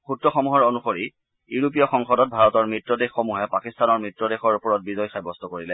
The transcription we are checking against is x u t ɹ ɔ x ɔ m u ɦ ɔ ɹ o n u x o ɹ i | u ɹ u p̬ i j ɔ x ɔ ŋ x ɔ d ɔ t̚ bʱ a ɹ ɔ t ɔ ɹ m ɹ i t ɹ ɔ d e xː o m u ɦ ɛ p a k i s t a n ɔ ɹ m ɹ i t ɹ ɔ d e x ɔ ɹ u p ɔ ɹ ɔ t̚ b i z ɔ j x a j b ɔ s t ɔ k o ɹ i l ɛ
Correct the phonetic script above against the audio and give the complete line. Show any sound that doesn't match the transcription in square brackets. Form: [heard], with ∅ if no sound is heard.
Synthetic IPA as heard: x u t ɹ ɔ x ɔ m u ɦ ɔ ɹ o n u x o ɹ i | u ɹ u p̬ i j ɔ x ɔ ŋ x ɔ d ɔ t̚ bʱ a ɹ ɔ t ɔ ɹ m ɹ i t ɹ ɔ d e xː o m u ɦ ɛ p a k i s t a n ɔ ɹ m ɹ i t ɹ ɔ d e x ɔ ɹ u p ɔ ɹ ɔ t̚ b i z ɔ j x a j b ɔ s t ɔ k o ɹ i l ɛ